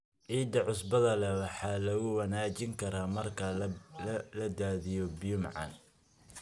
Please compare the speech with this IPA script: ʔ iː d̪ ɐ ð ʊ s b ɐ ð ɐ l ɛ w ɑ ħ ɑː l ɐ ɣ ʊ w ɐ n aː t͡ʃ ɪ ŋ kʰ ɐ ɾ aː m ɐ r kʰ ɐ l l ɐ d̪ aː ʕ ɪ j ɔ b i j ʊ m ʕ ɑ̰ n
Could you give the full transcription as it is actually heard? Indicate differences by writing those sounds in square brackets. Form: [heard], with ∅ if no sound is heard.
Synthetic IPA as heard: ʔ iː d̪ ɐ [ʕ] ʊ s b ɐ ð ɐ l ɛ w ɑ ħ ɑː l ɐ ɣ ʊ w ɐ n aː t͡ʃ ɪ ŋ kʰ ɐ ɾ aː m ɐ r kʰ ɐ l l ɐ d̪ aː [ð] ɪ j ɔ b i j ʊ m ʕ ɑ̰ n

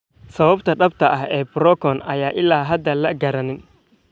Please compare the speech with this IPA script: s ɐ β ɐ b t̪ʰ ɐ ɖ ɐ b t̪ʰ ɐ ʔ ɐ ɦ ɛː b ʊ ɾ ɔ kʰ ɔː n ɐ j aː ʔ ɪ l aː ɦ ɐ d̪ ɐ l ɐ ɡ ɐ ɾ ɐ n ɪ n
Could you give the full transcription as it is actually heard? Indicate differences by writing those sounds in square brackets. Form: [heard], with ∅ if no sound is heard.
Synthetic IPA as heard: s ɐ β ɐ b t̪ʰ ɐ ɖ ɐ b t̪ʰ ɐ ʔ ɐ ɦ ɛː b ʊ ɾ ɔ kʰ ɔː n ɐ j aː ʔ ɪ l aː ɦ ɐ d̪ ɐ l ɐ ɡ ɐ ɾ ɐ n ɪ n

